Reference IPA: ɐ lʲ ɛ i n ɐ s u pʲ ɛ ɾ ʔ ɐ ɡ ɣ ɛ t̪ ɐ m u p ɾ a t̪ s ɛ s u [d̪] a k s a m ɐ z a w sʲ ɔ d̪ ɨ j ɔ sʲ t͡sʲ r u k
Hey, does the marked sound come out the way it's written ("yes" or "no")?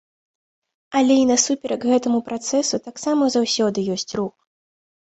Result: no